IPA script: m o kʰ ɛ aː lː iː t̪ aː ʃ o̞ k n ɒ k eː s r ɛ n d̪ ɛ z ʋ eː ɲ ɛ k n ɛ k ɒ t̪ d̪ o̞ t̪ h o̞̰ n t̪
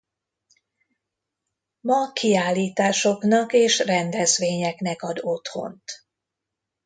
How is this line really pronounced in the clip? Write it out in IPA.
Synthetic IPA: m ɒ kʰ i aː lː iː t̪ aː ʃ o̞ k n ɒ k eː ʃ r ɛ n d̪ ɛ z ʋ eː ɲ ɛ k n ɛ k ɒ d̪ o̞ t̪ h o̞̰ n t̪